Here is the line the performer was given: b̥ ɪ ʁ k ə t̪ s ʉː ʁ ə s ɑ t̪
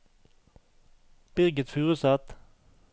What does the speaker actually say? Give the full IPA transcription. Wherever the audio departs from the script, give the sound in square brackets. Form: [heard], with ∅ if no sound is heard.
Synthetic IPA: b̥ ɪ ʁ [ɡ] ə t̪ [f] ʉː ʁ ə s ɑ t̪